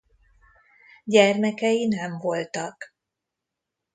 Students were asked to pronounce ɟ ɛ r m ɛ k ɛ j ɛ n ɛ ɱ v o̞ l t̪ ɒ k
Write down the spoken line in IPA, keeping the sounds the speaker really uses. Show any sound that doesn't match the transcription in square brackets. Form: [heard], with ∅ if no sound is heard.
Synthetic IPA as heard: ɟ ɛ r m ɛ k ɛ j [i] n ɛ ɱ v o̞ l t̪ ɒ k